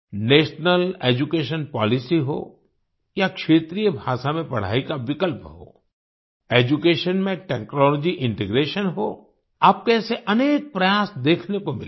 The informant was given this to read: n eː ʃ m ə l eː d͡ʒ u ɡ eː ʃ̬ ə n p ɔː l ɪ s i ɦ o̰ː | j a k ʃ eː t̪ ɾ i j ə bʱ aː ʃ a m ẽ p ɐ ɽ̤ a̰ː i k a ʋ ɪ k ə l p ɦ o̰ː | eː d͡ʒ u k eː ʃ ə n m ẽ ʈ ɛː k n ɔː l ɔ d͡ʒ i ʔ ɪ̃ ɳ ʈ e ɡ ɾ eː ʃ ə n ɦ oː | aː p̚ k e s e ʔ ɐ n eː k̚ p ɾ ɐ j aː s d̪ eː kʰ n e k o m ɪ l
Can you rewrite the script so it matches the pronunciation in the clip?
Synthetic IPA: n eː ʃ n ə l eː d͡ʒ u k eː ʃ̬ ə n p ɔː l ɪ s i ɦ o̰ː | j a k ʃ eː t̪ ɾ i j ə bʱ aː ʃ a m ẽ p ɐ ɽ̤ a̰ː i k a ʋ ɪ k ə l p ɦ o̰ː | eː d͡ʒ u k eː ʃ ə n m ẽ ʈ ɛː k n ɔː l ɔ d͡ʒ i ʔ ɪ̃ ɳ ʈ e ɡ ɾ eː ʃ ə n ɦ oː | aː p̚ k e s e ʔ ɐ n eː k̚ p ɾ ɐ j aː s d̪ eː kʰ n e k o m ɪ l